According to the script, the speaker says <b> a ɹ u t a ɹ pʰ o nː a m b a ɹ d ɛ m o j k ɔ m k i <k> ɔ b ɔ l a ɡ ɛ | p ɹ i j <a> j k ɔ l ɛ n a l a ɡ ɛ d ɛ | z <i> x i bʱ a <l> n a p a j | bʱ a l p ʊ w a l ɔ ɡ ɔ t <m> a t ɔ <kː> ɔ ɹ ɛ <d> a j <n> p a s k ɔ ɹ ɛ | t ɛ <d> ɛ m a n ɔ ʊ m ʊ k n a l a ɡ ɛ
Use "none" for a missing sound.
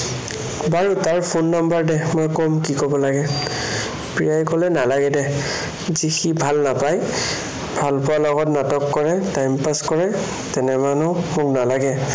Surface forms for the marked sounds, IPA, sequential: b, k, a, i, l, n, kː, t, m, n

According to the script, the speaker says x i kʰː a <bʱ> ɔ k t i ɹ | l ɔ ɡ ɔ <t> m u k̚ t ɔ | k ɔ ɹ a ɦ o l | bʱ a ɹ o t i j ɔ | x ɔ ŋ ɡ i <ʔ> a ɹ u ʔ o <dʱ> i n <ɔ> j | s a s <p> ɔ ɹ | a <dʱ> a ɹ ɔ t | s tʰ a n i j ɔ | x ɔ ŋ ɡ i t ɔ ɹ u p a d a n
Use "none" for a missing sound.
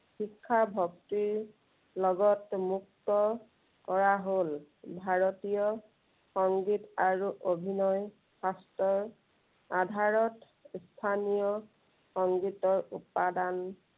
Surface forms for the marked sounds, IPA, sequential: bʱ, t, t, bʱ, ɔ, t, dʱ

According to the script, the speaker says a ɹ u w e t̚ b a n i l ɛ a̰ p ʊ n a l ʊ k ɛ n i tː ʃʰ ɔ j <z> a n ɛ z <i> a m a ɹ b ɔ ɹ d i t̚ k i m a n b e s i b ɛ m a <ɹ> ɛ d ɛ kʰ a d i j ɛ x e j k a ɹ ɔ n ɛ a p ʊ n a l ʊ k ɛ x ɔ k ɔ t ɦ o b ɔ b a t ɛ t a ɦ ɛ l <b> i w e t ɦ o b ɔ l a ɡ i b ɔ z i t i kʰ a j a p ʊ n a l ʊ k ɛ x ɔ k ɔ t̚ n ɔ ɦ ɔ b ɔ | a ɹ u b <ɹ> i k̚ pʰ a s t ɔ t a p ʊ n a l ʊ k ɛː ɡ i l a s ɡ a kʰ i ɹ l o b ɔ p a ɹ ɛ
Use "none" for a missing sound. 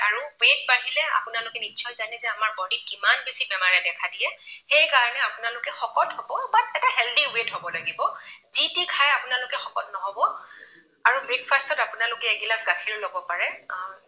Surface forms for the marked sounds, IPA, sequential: z, ɛ, ɹ, d, ɹ

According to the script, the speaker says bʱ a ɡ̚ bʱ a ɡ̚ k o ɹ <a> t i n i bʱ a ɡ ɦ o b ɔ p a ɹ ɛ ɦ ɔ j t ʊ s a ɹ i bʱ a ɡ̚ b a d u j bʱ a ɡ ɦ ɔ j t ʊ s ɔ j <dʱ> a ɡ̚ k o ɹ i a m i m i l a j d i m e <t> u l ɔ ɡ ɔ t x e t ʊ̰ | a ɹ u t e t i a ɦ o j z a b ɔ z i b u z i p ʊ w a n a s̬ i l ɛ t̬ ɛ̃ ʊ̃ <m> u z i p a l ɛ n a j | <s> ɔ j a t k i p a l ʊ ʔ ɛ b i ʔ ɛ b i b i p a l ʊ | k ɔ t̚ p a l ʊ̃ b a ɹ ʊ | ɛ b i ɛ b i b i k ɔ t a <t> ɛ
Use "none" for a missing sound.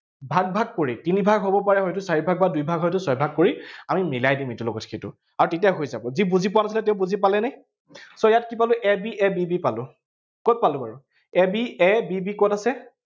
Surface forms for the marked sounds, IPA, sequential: i, bʱ, t, b, s, s

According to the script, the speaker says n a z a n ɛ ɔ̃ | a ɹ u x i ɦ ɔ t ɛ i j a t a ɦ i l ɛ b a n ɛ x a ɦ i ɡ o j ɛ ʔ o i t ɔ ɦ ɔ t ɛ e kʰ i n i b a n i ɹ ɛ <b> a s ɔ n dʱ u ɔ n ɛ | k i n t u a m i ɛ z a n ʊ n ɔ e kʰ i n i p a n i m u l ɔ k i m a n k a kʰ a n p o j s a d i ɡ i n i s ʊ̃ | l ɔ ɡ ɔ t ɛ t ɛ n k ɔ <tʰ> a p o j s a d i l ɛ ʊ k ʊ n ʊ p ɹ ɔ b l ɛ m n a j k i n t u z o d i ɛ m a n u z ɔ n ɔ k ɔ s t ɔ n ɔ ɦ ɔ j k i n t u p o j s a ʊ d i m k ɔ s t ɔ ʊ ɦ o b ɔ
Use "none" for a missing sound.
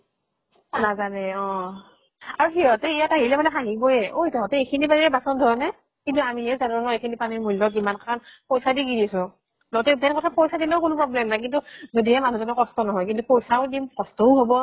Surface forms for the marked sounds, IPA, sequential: b, tʰ

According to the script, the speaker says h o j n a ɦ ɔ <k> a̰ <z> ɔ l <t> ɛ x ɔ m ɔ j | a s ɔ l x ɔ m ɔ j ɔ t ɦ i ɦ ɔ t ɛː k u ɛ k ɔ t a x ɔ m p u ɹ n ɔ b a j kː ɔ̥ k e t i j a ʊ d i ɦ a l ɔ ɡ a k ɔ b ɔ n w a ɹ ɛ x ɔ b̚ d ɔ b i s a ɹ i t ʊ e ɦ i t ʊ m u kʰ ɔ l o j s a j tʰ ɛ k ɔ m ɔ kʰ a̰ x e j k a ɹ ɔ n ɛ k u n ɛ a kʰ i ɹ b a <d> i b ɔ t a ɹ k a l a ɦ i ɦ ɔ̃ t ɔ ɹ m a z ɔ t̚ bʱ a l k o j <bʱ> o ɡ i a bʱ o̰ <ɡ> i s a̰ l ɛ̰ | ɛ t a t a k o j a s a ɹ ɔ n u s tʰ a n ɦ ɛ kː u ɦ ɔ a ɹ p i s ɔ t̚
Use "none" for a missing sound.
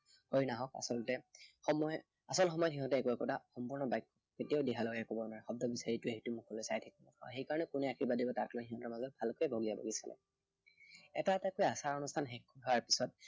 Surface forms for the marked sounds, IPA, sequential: k, s, t, d, bʱ, ɡ

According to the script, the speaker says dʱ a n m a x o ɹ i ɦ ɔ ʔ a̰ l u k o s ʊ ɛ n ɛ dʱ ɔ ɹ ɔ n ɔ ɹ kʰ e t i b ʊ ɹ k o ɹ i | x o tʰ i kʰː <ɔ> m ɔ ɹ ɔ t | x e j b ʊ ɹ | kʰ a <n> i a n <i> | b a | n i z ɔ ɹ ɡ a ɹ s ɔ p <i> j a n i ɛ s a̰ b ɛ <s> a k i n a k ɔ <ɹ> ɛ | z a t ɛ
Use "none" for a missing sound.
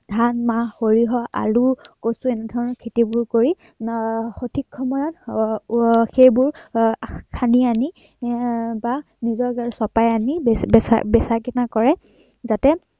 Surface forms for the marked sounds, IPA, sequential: ɔ, n, i, a, s, ɹ

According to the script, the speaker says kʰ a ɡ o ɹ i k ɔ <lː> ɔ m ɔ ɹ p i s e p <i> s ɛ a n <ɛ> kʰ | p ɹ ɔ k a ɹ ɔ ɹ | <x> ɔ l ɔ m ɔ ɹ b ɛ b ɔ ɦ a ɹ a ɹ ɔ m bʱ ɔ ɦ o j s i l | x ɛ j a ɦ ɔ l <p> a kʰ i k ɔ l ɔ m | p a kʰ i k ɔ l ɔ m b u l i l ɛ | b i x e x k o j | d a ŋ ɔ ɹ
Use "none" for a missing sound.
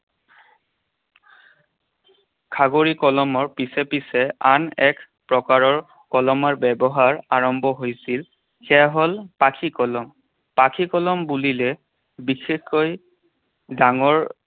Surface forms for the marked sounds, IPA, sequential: l, i, ɛ, k, p

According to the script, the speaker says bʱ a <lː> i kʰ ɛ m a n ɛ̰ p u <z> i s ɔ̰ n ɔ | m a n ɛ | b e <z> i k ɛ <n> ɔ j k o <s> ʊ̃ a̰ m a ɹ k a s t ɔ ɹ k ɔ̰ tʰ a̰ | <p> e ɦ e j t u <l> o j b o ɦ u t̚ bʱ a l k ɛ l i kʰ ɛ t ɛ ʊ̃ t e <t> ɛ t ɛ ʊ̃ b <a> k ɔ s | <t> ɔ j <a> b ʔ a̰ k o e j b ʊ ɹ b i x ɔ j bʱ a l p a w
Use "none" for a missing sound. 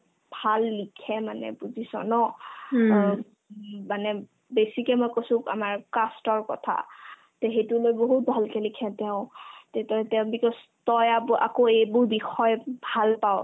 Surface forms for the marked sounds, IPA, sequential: lː, z, s, m, s, t, l, t, i, t, a

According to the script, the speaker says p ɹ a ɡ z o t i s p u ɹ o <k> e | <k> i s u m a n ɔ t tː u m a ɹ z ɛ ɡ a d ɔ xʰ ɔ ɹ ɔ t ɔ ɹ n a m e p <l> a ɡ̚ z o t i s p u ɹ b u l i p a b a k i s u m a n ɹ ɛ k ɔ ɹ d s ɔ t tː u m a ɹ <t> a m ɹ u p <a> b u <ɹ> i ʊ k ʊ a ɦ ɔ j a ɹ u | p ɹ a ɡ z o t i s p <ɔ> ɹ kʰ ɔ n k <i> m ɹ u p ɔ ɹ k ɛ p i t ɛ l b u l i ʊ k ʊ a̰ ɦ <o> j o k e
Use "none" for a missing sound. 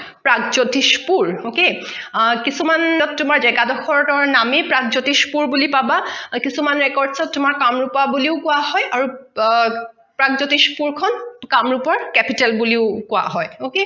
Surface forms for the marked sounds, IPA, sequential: k, k, ɹ, k, a, l, u, a, ɔ

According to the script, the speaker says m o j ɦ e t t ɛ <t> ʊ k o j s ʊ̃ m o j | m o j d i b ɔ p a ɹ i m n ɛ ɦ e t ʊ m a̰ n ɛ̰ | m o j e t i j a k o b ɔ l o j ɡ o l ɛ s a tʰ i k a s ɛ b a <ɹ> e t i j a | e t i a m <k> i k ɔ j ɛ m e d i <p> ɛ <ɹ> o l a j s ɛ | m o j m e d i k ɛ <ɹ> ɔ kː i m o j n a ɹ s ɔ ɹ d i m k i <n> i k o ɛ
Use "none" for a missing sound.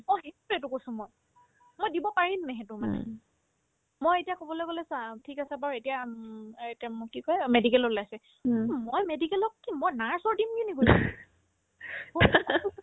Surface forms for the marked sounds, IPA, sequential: t, ɹ, k, k, l, l, n

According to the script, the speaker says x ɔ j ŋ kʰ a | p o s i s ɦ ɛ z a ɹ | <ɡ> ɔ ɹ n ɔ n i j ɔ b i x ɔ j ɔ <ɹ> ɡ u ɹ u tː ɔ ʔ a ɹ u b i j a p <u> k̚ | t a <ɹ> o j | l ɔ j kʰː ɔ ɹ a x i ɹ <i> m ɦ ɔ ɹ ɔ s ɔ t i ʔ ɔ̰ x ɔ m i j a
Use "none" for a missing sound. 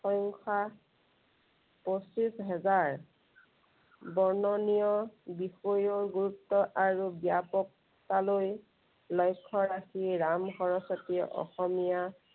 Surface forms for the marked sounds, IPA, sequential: b, ɹ, ɔ, l, a

